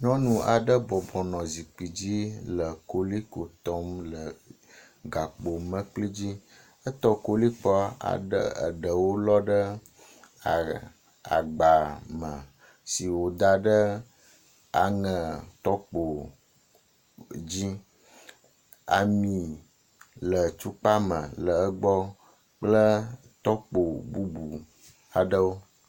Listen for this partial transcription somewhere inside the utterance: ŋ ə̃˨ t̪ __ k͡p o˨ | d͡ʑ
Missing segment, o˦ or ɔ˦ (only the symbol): ɔ˦